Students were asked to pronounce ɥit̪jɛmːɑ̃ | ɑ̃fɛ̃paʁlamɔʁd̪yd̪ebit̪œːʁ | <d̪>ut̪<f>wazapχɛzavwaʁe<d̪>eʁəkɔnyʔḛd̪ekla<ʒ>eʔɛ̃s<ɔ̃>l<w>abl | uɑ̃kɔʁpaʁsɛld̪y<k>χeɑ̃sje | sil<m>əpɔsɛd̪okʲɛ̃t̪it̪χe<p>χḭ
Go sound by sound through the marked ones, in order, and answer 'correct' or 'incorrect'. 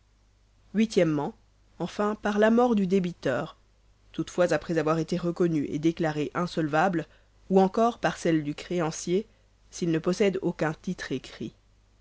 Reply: incorrect: t̪, correct, incorrect: t̪, incorrect: ʁ, incorrect: ɔ, incorrect: v, correct, incorrect: n, incorrect: k

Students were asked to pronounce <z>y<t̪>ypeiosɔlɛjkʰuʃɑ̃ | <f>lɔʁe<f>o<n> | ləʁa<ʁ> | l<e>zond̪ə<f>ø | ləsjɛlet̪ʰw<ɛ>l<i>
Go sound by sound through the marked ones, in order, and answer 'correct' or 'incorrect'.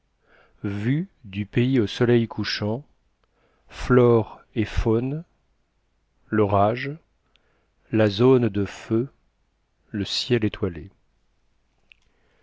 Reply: incorrect: v, incorrect: d̪, correct, correct, correct, incorrect: ʒ, incorrect: a, correct, incorrect: a, incorrect: e

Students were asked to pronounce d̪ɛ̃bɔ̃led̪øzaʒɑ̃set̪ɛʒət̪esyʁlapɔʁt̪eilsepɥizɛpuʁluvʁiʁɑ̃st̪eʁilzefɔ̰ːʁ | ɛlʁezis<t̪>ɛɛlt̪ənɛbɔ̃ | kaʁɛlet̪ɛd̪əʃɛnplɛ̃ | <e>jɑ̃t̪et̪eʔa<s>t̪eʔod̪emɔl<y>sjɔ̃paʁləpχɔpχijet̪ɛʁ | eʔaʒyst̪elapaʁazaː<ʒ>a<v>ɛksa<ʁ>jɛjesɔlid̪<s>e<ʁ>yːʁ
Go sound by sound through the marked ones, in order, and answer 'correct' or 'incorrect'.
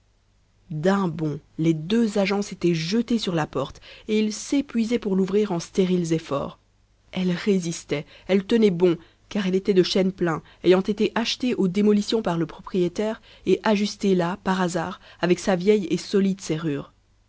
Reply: correct, correct, incorrect: ʃ, incorrect: i, incorrect: ʁ, correct, incorrect: v, correct, correct

